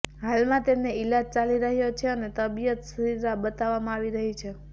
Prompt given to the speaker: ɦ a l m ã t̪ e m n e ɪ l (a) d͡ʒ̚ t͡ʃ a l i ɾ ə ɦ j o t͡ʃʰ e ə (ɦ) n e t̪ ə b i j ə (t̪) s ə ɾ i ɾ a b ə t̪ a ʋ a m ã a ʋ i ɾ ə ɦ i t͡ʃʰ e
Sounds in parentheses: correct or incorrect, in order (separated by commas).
correct, incorrect, correct